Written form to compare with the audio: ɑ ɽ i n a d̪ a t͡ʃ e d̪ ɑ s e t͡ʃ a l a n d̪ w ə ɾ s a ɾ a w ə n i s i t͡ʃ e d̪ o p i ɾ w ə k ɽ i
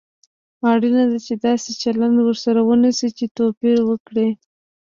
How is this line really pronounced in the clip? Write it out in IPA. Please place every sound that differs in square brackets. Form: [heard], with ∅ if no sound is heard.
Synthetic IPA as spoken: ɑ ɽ i n a d̪ a t͡ʃ e d̪ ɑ s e t͡ʃ a l a n d̪ w ə ɾ s a ɾ a w ə n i s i t͡ʃ e [t̪] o p i ɾ w ə k ɽ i